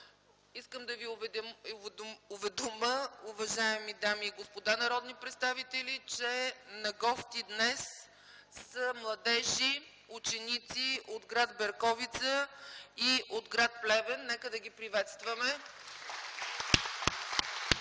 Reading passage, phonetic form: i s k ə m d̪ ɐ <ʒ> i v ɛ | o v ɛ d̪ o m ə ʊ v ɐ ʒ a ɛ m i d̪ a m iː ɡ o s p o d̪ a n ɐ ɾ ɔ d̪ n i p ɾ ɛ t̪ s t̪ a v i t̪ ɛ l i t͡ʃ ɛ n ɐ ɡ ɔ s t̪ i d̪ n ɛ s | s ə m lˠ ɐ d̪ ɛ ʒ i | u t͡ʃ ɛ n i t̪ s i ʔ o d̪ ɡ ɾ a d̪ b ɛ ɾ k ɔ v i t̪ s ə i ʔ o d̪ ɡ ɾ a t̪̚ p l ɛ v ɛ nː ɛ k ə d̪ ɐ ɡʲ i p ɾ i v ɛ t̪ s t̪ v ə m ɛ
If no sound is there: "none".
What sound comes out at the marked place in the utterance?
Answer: v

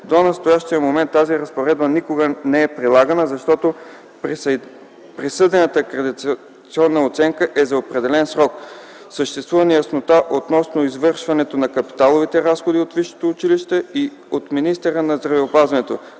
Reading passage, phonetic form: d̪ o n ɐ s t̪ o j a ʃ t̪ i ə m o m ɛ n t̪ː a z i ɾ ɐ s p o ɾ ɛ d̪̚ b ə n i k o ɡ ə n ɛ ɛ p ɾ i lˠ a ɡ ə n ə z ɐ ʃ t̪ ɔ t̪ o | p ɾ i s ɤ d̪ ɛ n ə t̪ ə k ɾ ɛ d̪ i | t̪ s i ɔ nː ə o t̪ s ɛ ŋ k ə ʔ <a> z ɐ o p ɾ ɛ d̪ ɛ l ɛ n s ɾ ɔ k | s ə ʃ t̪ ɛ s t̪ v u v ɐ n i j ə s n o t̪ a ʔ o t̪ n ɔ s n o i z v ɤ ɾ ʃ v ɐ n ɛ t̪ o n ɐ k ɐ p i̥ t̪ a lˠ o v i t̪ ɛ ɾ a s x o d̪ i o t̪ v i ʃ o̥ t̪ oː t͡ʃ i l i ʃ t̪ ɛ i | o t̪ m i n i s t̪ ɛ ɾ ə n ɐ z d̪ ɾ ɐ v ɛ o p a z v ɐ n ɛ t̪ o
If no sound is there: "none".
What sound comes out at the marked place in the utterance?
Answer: ɛ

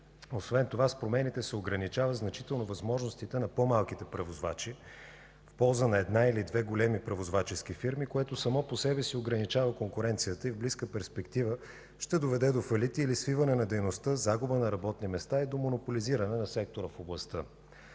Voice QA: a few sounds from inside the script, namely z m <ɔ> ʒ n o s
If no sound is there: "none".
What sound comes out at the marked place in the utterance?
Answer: ɔ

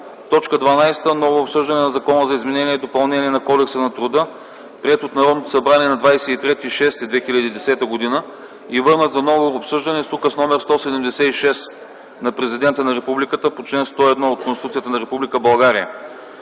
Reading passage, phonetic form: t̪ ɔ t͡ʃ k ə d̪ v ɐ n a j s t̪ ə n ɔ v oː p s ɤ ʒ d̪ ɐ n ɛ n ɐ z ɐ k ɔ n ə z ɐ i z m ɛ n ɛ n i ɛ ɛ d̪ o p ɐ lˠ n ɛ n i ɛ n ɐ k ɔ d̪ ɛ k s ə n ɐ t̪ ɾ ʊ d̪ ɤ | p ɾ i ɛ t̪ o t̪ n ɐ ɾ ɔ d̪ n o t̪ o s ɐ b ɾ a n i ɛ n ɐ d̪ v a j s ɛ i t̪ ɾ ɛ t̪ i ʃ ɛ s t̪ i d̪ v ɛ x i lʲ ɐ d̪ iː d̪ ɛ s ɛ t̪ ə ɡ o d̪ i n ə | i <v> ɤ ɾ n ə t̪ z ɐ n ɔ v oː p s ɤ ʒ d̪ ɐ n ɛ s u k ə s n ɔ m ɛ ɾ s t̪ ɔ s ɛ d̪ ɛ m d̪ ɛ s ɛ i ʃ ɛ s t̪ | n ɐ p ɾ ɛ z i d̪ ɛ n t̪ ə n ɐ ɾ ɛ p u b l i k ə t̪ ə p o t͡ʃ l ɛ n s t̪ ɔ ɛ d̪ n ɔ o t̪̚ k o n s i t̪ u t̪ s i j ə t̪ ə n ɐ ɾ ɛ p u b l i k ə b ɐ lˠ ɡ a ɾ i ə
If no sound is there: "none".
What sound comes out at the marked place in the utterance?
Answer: v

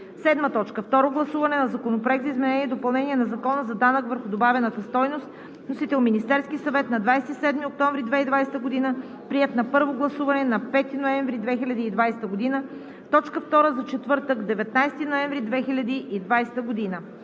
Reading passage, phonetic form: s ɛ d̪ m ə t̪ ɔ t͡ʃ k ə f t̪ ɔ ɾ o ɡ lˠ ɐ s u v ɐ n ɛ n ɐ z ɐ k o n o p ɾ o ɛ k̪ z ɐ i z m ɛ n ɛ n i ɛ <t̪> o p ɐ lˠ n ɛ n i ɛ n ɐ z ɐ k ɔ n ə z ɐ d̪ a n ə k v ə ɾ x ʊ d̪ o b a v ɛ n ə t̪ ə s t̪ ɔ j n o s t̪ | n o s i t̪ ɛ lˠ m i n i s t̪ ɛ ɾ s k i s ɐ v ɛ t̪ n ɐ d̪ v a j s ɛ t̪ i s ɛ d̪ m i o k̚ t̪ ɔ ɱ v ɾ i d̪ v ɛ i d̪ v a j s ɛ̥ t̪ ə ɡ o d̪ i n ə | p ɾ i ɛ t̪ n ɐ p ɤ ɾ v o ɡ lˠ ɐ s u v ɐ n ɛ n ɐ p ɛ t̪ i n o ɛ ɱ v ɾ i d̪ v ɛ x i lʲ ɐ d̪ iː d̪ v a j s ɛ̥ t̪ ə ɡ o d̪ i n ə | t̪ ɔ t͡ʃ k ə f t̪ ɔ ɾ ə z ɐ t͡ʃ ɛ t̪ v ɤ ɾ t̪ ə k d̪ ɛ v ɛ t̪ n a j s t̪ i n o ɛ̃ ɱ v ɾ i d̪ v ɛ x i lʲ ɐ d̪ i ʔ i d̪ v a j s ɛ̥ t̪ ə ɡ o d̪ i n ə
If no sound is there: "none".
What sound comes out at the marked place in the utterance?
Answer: d̪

